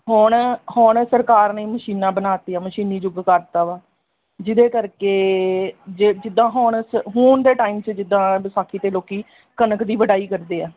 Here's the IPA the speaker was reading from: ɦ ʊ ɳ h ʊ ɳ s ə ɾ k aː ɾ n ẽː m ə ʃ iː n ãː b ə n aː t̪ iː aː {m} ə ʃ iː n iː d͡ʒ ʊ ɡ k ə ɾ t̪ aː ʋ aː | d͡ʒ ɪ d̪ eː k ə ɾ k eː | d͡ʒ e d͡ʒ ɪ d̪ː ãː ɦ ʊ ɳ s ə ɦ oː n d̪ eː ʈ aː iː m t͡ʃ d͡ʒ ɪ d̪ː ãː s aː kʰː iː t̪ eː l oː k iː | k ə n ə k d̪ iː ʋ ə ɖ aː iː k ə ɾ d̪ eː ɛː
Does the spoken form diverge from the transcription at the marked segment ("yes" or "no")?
no